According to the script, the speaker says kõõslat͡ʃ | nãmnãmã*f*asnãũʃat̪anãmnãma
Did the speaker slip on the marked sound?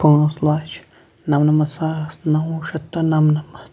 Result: yes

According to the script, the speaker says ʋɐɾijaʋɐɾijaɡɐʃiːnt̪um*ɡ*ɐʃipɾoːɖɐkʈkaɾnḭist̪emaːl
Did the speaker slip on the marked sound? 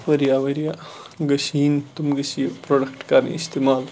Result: no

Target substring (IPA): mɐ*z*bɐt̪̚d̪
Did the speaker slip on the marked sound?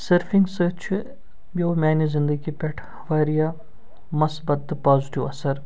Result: yes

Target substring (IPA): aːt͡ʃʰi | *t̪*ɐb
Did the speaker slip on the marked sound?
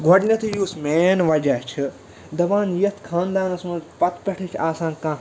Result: yes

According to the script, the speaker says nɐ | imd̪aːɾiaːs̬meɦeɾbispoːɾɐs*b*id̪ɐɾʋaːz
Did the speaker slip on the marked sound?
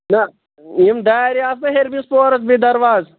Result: no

